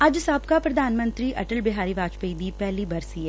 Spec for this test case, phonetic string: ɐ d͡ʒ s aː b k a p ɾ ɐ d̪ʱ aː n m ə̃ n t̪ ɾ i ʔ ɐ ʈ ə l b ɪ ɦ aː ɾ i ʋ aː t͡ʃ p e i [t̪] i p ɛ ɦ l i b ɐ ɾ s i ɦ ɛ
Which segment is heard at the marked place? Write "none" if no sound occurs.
d̪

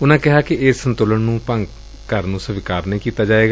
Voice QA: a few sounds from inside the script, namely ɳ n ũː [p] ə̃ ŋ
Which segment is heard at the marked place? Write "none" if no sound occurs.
p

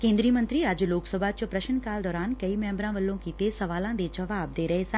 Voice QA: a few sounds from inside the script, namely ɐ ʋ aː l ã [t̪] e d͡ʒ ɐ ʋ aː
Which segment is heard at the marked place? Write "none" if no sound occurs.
d̪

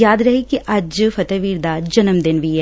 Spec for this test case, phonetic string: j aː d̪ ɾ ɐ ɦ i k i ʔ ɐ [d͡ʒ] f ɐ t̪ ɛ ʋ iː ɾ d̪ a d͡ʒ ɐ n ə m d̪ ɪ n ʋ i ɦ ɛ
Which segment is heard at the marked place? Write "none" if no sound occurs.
d͡ʒ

